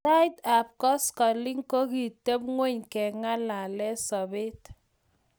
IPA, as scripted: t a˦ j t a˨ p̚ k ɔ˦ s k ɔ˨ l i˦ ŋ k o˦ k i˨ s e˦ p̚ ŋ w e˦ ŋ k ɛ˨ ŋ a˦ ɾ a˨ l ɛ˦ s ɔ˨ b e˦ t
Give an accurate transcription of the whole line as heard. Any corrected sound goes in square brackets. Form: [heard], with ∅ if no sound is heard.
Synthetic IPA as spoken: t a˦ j t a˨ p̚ k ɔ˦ s k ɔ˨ l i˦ ŋ k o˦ k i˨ [t] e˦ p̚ ŋ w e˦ [ɲ] k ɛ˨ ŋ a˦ [l] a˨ l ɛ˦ s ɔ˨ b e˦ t